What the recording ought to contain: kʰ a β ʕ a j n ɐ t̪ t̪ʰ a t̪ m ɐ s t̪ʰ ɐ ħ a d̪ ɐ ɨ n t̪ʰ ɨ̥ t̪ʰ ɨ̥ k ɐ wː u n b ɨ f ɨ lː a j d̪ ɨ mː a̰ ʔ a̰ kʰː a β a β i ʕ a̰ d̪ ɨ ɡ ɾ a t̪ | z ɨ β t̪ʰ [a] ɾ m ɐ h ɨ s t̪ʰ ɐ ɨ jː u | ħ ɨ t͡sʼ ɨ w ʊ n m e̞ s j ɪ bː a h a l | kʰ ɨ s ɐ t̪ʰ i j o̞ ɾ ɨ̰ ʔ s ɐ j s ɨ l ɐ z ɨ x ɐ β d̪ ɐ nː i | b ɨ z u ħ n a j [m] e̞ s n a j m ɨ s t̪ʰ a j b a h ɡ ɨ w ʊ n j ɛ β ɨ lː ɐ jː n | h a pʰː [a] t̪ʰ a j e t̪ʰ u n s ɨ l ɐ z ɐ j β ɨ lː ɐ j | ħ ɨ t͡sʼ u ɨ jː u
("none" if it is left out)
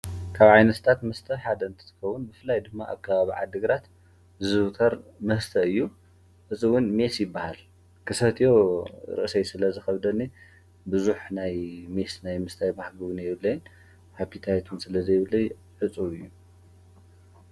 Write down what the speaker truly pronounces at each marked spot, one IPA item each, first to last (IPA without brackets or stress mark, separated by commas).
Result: ɐ, m, i